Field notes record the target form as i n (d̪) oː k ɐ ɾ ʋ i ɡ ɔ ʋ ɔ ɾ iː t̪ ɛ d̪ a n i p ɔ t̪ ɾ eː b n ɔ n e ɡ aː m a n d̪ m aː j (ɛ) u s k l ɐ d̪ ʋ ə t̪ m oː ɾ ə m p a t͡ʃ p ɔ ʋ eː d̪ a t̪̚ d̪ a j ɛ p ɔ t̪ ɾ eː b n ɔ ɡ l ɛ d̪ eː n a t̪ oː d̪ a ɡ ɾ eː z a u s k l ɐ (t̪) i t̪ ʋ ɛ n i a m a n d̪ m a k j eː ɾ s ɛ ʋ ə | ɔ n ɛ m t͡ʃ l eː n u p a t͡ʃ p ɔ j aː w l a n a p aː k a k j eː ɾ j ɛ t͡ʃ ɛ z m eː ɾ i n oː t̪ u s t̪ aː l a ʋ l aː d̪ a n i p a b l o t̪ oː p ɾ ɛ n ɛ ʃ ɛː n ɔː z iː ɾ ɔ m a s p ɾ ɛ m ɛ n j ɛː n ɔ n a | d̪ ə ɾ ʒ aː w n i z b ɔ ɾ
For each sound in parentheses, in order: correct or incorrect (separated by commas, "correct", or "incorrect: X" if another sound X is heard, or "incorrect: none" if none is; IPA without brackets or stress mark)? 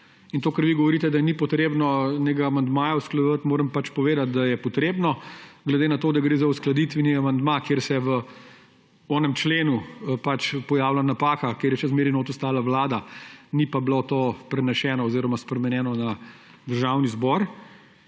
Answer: incorrect: t̪, incorrect: a, incorrect: d̪